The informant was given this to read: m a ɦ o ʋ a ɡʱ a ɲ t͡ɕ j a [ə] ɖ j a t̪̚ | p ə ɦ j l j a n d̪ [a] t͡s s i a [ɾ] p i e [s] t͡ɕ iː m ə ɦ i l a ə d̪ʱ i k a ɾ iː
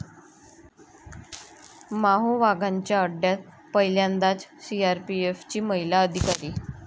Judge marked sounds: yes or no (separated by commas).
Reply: yes, yes, yes, no